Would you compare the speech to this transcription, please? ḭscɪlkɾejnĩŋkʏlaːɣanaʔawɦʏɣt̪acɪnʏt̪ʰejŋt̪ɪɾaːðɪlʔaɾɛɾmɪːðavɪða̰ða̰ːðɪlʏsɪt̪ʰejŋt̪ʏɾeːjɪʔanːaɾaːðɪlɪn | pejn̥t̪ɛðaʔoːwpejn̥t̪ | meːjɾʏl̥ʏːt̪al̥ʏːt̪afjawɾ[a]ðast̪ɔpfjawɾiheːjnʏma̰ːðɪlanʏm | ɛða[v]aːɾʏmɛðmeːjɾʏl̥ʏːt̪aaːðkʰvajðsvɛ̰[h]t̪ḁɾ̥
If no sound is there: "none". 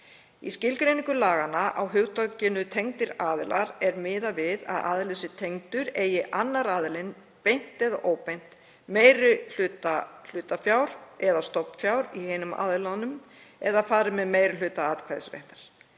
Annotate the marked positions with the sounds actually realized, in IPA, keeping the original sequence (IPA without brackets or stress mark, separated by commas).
ɛ, f, h